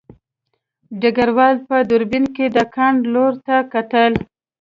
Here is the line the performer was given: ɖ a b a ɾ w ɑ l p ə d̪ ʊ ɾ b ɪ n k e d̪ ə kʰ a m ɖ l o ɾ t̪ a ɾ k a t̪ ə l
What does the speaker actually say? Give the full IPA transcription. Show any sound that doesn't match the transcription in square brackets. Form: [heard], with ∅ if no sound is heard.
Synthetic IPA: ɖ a [ɡ] a ɾ w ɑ l p ə d̪ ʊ ɾ b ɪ n k e d̪ ə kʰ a [ɳ] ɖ l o ɾ t̪ a [∅] k a t̪ ə l